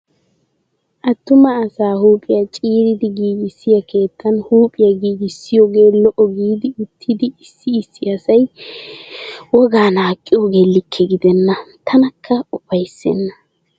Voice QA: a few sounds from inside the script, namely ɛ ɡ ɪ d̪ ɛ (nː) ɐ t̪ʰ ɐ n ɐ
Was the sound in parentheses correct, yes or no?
yes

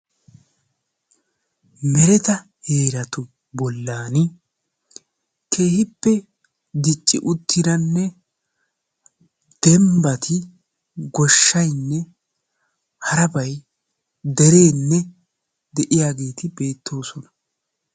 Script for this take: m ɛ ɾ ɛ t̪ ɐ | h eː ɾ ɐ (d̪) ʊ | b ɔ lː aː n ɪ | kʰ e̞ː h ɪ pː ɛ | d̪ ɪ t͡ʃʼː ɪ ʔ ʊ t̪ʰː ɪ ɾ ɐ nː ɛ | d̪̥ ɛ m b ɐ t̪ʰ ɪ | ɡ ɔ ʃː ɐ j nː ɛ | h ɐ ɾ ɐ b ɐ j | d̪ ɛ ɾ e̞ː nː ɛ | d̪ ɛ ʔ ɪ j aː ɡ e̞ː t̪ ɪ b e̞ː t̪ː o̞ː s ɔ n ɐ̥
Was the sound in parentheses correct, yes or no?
no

